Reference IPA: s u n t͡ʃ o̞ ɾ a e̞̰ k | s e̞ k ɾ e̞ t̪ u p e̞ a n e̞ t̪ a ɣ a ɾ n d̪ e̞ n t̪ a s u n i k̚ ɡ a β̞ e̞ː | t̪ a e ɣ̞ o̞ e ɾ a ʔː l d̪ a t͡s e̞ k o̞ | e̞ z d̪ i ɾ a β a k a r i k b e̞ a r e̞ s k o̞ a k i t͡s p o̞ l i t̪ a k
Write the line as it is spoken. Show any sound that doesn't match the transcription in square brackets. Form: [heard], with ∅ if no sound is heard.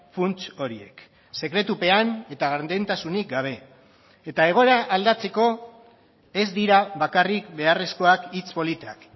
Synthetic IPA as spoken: [f] u n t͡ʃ o̞ ɾ [i] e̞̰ k | s e̞ k ɾ e̞ t̪ u p e̞ a n e̞ t̪ a ɣ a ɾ n d̪ e̞ n t̪ a s u n i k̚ ɡ a β̞ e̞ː | t̪ a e ɣ̞ o̞ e ɾ a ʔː l d̪ a t͡s e̞ k o̞ | e̞ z d̪ i ɾ a β a k a r i k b e̞ a r e̞ s k o̞ a k i t͡s p o̞ l i t̪ a k